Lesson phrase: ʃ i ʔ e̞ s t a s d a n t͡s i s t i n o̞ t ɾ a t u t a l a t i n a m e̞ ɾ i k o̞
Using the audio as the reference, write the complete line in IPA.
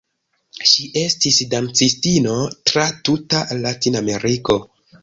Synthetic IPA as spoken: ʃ i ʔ e̞ s t i s d a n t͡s i s t i n o̞ t ɾ a t u t a l a t i n a m e̞ ɾ i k o̞